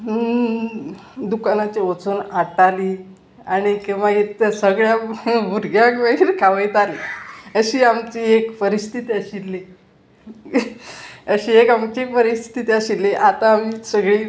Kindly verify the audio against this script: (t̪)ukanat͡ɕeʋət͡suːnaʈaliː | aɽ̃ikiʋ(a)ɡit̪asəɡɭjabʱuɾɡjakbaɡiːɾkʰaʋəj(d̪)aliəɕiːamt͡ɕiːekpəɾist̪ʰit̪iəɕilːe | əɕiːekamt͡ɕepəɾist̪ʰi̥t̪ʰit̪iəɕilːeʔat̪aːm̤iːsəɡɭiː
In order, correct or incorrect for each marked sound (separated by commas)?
incorrect, correct, incorrect